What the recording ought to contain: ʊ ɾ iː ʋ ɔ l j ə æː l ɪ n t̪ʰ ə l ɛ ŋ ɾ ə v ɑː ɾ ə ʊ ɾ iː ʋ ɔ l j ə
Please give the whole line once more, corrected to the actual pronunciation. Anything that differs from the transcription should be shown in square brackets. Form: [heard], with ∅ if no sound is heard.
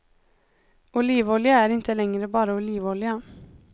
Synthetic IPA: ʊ [l] iː ʋ ɔ l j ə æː [ɾ] ɪ n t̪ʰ ə l ɛ ŋ ɾ ə [b] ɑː ɾ ə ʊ [l] iː ʋ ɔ l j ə

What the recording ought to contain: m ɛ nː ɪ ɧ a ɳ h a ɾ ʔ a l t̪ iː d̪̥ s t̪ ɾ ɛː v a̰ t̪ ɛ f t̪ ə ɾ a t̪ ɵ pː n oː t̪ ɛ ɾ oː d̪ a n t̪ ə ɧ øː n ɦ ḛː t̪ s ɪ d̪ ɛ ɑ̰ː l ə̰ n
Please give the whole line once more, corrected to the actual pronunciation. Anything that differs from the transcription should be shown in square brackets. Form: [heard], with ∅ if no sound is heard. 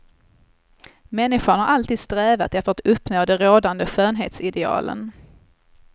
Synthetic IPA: m ɛ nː ɪ ɧ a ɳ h a ɾ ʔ a l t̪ iː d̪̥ s t̪ ɾ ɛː v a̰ t̪ ɛ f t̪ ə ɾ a t̪ ɵ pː n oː [d̪] ɛ ɾ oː d̪ a n [d̪] ə ɧ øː n ɦ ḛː t̪ s ɪ d̪ ɛ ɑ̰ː l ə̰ n

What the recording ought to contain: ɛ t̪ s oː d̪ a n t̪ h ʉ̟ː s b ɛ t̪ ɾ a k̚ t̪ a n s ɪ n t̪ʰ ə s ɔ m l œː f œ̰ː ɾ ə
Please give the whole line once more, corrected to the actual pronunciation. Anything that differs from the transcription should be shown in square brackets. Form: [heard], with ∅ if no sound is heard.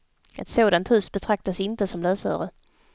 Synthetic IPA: ɛ t̪ s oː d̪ a n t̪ h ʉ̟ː s b ɛ [t̪ʰ] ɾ a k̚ t̪ a [∅] s ɪ n [t̪] ə s ɔ m l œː [s] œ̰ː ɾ ə

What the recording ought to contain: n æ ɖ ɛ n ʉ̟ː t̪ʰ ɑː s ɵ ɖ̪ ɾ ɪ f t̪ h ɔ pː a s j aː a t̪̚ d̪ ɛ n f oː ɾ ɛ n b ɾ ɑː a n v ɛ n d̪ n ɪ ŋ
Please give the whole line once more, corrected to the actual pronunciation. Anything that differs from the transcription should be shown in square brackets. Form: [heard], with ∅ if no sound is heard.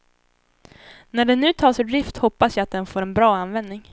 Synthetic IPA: n æ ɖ ɛ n ʉ̟ː t̪ʰ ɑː s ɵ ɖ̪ ɾ ɪ f t̪ h ɔ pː a s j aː a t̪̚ d̪ ɛ n f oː ɾ ɛ n b ɾ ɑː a n v ɛ n d̪ n ɪ ŋ

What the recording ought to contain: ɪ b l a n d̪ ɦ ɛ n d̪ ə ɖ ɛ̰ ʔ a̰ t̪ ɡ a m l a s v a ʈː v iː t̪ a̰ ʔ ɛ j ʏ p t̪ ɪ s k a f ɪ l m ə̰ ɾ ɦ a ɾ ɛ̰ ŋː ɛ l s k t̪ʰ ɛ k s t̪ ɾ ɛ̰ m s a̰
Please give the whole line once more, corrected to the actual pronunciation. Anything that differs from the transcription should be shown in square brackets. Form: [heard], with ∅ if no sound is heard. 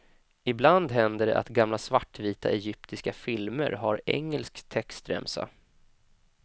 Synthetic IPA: ɪ b l a n d̪ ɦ ɛ n d̪ ə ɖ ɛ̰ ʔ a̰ t̪ ɡ a m l a s v a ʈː v iː t̪ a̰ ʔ ɛ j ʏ p t̪ ɪ s k a f ɪ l m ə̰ ɾ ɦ a ɾ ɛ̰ ŋː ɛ l s k t̪ʰ ɛ k s t̪ ɾ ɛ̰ m s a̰

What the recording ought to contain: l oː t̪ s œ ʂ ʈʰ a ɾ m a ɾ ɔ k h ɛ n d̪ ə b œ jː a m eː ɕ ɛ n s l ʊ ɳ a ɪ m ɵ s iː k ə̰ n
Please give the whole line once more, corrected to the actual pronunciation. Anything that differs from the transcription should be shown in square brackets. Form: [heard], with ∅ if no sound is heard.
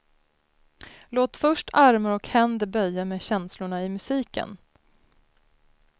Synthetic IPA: l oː t̪ [f] œ ʂ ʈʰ a ɾ m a ɾ ɔ k h ɛ n d̪ ə b œ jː a m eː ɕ ɛ n s l ʊ ɳ a ɪ m ɵ s iː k ə̰ n

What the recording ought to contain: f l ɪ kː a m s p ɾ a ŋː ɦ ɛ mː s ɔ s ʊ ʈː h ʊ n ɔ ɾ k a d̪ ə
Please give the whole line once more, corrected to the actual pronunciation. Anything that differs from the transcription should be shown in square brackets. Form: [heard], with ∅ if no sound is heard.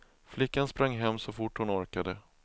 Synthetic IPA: f l ɪ kː a [n] s p ɾ a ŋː ɦ ɛ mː s ɔ [f] ʊ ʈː h ʊ n ɔ ɾ k a d̪ ə

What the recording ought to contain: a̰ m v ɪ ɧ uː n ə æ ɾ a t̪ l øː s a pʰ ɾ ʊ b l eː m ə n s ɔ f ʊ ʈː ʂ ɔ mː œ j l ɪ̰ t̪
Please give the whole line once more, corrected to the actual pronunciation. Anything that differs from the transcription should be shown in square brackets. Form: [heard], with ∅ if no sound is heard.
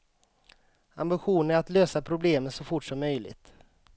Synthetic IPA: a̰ m [b] ɪ ɧ uː n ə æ ɾ a t̪ l øː s a pʰ ɾ ʊ b l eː m ə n s ɔ f ʊ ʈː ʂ ɔ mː œ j l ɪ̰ t̪

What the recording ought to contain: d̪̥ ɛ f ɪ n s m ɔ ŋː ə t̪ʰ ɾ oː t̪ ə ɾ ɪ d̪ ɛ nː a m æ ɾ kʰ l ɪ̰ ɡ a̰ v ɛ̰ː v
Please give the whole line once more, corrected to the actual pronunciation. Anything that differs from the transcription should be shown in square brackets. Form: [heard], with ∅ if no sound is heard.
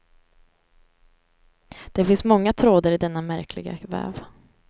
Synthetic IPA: d̪̥ ɛ f ɪ n s m ɔ ŋː [a] t̪ʰ ɾ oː [d̪] ə ɾ ɪ d̪ ɛ nː a m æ ɾ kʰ l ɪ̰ ɡ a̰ v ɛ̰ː v

